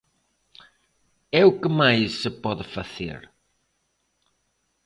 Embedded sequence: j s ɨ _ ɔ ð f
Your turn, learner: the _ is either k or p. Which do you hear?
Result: p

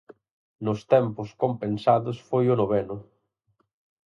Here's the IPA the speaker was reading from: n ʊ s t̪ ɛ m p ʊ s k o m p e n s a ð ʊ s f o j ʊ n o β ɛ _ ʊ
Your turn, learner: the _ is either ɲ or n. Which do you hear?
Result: n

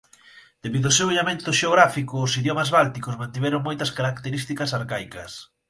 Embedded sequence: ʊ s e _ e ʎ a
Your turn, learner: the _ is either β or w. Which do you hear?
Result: w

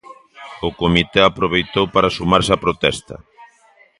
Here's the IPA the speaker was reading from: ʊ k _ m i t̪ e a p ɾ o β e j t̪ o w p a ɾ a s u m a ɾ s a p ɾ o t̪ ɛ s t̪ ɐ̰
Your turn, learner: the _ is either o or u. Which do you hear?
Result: o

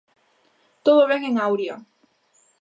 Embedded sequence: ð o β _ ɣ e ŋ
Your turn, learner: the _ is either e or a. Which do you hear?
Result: e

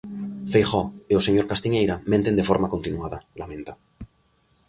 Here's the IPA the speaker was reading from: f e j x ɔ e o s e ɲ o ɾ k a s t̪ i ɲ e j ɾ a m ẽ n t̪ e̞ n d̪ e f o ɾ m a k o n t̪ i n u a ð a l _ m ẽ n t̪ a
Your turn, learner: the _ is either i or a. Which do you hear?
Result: a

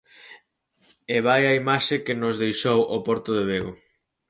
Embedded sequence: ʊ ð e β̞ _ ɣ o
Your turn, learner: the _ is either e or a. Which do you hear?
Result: e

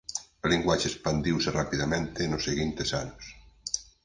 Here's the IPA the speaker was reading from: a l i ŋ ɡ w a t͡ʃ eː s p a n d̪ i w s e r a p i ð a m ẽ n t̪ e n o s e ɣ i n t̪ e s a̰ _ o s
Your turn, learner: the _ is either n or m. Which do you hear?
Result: n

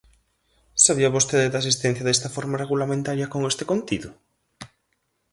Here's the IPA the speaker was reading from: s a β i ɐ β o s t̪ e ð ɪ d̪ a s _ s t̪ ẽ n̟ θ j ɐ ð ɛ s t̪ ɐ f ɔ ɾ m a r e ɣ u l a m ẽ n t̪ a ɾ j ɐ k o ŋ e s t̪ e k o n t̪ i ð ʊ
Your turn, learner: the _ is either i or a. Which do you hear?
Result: i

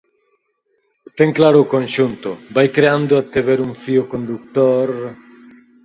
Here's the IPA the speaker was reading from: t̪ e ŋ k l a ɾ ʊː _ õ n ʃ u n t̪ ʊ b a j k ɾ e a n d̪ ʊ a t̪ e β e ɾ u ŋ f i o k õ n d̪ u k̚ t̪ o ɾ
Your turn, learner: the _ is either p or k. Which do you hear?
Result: k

